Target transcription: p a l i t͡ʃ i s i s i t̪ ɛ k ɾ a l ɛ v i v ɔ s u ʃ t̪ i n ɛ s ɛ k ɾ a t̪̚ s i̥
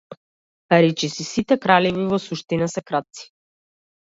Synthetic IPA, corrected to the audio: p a ɾ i t͡ʃ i s i s i t̪ ɛ k ɾ a l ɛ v i v ɔ s u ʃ t̪ i n a s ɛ k ɾ a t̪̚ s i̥